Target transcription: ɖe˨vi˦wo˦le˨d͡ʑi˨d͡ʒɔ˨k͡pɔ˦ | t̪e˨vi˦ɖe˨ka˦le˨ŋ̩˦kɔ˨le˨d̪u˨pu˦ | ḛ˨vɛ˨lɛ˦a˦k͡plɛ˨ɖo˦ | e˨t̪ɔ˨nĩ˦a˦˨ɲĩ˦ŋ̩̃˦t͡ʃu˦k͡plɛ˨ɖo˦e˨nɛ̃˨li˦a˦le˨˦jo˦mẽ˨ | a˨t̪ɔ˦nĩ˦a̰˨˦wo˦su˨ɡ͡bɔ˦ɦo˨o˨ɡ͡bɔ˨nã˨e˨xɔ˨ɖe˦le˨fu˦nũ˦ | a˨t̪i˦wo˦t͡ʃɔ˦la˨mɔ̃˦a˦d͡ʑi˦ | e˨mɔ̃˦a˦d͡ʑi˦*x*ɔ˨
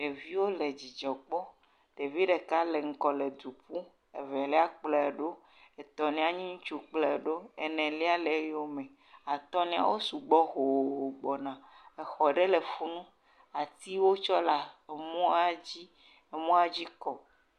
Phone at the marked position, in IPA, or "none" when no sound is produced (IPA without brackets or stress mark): k